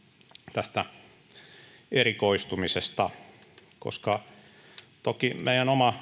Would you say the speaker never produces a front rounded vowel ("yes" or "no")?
yes